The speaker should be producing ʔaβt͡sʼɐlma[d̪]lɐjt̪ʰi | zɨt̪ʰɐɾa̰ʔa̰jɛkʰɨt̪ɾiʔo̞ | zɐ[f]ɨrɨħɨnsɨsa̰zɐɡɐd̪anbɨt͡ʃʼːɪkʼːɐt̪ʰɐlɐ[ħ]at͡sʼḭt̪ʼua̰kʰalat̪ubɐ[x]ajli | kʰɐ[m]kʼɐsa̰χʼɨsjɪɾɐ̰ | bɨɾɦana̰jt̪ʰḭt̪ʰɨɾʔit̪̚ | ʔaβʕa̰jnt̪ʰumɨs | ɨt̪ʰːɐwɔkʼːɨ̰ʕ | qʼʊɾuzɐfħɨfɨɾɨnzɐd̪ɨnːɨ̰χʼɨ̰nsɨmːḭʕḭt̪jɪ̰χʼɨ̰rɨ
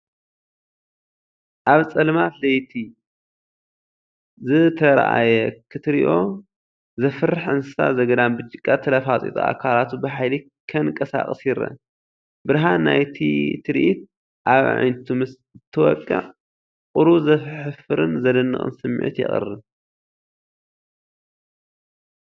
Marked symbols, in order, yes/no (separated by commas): no, yes, no, no, no